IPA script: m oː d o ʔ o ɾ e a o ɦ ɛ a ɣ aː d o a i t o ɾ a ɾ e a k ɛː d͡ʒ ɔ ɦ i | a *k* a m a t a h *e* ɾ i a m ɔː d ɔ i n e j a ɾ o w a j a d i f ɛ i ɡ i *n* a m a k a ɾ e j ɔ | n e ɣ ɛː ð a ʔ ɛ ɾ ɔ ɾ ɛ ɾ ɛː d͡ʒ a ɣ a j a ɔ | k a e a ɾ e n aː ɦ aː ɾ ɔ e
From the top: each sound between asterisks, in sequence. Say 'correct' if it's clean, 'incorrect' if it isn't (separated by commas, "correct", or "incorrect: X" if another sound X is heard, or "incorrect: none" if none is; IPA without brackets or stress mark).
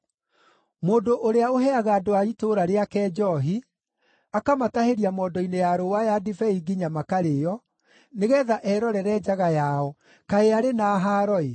correct, correct, incorrect: ɲ